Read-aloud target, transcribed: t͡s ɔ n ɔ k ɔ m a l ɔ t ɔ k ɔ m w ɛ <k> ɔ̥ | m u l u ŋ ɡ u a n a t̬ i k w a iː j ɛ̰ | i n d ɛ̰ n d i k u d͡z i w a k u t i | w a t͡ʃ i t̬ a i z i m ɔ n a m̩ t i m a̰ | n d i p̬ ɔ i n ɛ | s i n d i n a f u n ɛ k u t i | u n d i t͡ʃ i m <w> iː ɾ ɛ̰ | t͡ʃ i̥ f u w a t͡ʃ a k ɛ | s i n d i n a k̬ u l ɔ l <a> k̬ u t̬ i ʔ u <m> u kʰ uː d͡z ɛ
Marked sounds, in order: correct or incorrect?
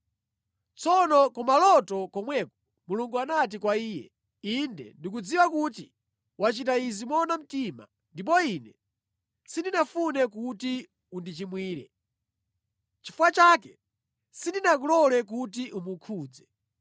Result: correct, correct, incorrect, correct

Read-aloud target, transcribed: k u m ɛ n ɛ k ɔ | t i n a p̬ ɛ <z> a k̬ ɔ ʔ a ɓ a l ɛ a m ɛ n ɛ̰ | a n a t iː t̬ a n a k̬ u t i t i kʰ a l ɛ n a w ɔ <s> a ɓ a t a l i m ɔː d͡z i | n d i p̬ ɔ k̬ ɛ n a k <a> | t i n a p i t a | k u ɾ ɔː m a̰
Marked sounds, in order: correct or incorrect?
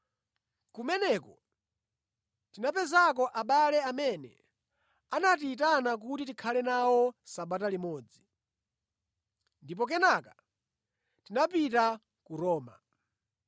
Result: correct, correct, correct

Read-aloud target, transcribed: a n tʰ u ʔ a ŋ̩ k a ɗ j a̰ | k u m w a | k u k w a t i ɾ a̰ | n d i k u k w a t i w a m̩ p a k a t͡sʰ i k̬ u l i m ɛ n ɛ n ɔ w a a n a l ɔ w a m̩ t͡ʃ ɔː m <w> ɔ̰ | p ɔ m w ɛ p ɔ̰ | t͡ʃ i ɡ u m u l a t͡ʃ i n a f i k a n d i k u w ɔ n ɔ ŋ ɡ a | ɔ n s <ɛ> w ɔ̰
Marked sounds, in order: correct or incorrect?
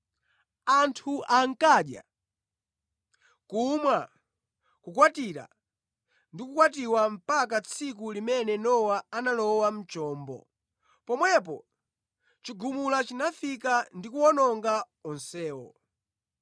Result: incorrect, incorrect

